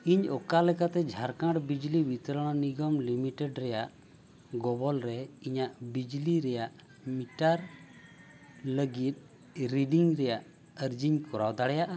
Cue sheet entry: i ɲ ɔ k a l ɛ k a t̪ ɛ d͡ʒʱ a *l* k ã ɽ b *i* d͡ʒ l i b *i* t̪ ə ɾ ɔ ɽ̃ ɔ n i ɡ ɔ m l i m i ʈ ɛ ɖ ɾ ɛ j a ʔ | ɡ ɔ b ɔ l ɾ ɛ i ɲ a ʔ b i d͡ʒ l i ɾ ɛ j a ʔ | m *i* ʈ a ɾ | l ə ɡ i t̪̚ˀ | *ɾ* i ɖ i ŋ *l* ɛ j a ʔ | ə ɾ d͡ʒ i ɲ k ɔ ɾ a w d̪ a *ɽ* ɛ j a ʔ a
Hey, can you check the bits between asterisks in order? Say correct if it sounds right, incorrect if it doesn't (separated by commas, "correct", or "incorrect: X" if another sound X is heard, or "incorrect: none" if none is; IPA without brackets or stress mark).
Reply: incorrect: ɾ, correct, correct, correct, correct, incorrect: ɾ, correct